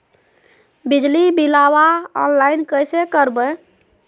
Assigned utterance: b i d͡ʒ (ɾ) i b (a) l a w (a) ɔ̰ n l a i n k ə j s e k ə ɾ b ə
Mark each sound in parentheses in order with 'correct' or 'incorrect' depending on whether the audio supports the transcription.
incorrect, incorrect, correct

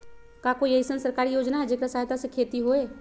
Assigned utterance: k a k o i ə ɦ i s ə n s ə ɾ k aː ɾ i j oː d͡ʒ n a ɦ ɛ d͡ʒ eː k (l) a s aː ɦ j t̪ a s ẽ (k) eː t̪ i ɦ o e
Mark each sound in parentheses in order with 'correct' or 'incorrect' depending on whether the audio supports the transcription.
incorrect, incorrect

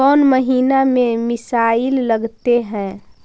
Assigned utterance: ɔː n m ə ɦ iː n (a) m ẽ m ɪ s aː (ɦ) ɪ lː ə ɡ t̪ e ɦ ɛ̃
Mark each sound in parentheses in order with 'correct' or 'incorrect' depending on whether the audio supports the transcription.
correct, incorrect

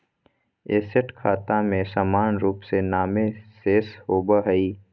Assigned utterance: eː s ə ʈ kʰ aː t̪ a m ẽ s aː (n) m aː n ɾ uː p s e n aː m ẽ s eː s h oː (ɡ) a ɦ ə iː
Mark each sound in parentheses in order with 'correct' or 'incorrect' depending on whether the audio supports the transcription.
incorrect, incorrect

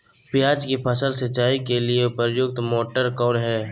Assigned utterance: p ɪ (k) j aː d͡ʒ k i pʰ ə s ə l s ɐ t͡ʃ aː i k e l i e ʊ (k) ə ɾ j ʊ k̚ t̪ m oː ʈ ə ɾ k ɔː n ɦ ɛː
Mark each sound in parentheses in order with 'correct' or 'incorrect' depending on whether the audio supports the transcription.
incorrect, incorrect

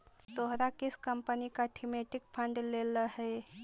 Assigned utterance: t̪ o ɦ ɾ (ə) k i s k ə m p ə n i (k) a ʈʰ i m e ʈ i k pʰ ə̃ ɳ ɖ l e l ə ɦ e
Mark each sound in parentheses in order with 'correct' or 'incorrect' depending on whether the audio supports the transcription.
incorrect, correct

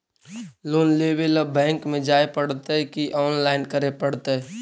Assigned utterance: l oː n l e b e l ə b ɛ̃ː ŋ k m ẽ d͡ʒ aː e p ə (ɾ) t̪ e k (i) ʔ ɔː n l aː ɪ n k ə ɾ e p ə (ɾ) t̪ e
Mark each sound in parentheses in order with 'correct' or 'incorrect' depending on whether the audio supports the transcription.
incorrect, correct, incorrect

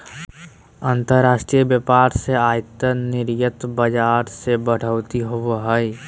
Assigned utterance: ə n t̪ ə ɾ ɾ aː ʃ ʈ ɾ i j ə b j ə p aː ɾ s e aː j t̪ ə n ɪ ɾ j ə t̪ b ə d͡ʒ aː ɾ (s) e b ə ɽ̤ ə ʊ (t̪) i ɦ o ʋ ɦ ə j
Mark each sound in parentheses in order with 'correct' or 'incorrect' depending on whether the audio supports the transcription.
correct, correct

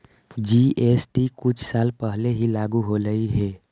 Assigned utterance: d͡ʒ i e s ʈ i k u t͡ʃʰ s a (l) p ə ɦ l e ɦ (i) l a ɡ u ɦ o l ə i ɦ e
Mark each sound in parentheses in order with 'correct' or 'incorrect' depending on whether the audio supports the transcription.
correct, correct

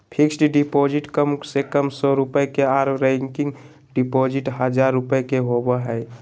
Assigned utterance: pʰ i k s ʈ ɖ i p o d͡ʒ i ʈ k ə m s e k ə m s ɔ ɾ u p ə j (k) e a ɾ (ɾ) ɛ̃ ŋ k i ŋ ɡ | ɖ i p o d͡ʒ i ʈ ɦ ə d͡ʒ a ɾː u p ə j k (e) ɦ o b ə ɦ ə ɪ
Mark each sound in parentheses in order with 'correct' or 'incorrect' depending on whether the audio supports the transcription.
correct, correct, correct

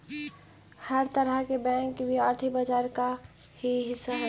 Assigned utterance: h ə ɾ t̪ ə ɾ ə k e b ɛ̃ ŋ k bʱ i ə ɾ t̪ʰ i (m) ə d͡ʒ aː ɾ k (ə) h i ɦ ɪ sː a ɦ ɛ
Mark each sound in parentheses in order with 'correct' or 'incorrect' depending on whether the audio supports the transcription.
incorrect, incorrect

